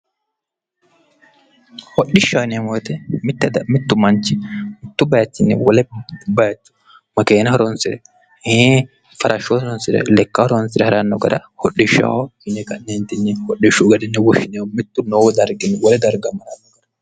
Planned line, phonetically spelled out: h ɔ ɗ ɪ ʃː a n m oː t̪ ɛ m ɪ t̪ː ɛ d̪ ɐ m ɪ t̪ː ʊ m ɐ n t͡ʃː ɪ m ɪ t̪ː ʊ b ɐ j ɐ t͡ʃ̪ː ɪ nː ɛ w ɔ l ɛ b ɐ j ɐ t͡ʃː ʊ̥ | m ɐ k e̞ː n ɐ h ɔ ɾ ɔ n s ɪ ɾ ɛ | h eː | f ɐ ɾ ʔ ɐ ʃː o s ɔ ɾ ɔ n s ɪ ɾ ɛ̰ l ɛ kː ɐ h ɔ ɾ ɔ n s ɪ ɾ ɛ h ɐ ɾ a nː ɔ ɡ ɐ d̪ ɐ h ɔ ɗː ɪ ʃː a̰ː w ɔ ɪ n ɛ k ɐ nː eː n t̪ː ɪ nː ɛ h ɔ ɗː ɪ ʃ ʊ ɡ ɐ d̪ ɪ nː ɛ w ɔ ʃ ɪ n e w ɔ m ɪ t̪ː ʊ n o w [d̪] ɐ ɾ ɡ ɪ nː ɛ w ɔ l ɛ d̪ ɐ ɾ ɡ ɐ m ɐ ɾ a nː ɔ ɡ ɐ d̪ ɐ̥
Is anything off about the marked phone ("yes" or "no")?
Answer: no